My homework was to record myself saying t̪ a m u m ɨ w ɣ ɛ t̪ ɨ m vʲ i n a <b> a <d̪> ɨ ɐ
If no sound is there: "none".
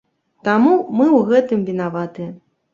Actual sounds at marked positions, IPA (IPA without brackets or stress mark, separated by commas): v, t̪